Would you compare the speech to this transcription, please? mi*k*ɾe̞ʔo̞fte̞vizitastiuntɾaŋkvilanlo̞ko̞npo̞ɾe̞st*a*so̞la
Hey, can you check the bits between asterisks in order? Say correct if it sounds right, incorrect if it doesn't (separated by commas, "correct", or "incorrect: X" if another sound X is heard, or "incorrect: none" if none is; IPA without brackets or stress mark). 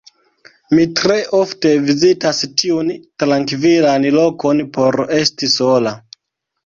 incorrect: t, incorrect: i